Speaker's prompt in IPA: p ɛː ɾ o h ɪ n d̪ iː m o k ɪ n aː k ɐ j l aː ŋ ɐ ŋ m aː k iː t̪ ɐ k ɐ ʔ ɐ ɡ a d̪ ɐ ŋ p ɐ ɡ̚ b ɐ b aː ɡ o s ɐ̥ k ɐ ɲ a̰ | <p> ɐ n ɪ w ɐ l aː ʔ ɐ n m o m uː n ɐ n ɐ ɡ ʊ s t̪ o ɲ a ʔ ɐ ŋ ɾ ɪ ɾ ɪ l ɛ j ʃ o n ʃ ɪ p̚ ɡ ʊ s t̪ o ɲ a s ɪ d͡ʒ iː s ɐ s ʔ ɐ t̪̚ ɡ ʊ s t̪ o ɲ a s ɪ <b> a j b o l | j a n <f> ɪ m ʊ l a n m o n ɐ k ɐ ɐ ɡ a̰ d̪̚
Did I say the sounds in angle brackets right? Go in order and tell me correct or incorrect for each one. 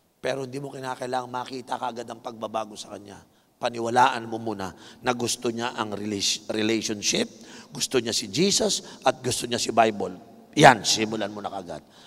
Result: correct, correct, incorrect

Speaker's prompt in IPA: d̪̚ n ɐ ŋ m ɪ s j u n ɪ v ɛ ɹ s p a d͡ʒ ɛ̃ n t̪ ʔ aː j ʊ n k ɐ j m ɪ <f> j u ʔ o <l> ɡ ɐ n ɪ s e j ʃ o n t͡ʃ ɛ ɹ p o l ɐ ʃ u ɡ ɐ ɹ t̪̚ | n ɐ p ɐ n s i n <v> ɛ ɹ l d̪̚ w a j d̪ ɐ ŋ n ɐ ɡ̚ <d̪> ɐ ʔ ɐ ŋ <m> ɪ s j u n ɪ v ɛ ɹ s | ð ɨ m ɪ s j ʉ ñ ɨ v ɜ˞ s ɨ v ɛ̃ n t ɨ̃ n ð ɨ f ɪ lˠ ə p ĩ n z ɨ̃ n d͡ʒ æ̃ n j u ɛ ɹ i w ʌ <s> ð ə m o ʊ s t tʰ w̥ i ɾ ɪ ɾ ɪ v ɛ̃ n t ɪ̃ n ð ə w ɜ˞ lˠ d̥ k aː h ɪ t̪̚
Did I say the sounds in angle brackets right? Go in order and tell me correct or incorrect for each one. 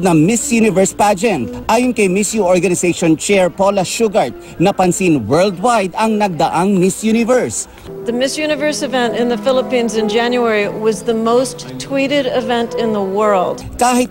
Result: incorrect, incorrect, incorrect, correct, correct, incorrect

